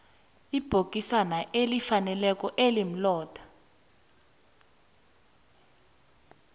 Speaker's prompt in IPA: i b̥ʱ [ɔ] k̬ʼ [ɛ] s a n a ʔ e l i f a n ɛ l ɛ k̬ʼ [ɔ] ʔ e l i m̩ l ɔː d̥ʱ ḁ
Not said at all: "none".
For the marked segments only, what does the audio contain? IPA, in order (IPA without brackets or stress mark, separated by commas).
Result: o, i, ɔ